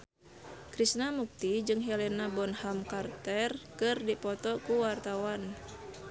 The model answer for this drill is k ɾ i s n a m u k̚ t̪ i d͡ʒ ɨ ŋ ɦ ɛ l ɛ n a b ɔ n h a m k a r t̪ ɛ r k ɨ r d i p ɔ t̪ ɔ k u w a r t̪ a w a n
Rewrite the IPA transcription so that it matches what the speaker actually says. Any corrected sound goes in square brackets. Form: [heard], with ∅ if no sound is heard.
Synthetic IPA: k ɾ i s n a m u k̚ t̪ i d͡ʒ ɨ ŋ ɦ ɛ l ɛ n a b ɔ n h a m k a r t̪ ɛ r k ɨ r d i p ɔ t̪ ɔ k u w a r t̪ a w a n